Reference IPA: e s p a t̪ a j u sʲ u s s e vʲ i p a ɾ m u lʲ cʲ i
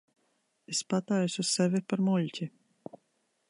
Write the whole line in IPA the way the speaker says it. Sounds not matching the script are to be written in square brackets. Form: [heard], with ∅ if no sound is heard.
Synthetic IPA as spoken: e s p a t̪ a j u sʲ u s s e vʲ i p a ɾ m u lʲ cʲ i